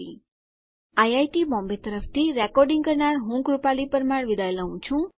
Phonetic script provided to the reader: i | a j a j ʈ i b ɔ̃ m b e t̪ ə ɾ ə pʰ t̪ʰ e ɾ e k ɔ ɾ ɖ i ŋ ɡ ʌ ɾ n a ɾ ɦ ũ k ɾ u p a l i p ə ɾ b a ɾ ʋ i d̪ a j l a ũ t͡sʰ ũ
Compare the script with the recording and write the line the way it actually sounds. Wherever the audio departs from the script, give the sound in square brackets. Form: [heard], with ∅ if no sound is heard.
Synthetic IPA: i | a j a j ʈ i b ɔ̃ m b e t̪ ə ɾ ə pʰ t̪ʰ [i] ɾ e k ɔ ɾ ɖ i ŋ ɡ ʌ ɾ n a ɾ ɦ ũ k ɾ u p a l i p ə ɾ [m] a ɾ ʋ i d̪ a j l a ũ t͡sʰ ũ